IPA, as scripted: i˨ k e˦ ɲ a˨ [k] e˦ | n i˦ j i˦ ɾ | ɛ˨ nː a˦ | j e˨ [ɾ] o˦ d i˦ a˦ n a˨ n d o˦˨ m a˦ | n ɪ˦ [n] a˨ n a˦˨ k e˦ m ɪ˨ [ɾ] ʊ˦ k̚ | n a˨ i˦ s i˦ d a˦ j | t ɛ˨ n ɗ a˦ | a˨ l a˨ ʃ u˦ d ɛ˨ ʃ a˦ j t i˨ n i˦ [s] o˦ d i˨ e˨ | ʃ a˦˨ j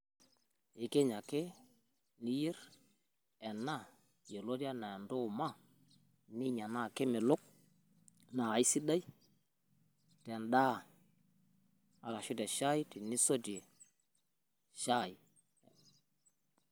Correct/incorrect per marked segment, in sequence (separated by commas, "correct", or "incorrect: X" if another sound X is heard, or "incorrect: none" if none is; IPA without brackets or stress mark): correct, incorrect: l, incorrect: ɲ, incorrect: l, correct